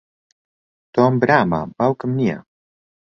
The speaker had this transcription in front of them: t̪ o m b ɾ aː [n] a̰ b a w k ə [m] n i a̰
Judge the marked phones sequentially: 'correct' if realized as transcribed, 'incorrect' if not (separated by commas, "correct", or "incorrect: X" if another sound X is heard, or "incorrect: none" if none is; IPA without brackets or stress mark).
incorrect: m, correct